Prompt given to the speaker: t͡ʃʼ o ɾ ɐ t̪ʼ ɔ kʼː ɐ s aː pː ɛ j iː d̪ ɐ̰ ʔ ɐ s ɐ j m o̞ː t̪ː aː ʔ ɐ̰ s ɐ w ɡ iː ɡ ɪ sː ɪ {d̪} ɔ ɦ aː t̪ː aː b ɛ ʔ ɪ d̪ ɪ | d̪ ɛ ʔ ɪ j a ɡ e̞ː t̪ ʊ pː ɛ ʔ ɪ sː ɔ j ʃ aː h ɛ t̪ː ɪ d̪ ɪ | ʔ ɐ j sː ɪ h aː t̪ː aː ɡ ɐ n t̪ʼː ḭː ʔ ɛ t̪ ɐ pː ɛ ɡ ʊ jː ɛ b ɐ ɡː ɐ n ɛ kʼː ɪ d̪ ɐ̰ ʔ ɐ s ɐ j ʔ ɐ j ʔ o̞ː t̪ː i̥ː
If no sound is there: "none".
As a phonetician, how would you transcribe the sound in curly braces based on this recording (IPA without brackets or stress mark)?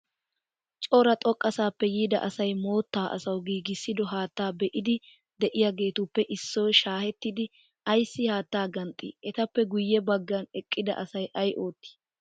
d̪